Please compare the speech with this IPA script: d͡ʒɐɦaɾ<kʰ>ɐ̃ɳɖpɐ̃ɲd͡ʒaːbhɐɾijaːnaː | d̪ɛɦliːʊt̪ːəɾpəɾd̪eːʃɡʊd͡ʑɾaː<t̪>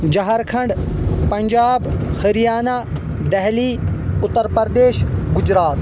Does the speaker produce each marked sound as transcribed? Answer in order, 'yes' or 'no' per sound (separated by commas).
yes, yes